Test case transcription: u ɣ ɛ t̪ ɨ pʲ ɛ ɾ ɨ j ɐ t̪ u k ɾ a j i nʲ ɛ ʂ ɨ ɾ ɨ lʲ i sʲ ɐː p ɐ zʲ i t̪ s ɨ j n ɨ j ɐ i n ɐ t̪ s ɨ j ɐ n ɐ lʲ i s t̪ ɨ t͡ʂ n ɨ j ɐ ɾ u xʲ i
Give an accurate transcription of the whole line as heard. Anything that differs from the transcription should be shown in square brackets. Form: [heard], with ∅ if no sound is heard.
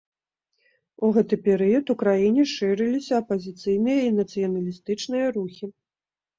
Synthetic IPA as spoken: u ɣ ɛ t̪ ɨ pʲ ɛ ɾ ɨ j ɐ t̪ u k ɾ a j i nʲ ɛ ʂ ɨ ɾ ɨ lʲ i sʲ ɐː p ɐ zʲ i t̪ s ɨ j n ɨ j ɐ i n ɐ t̪ s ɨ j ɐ n ɐ lʲ i s t̪ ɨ t͡ʂ n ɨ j ɐ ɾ u xʲ i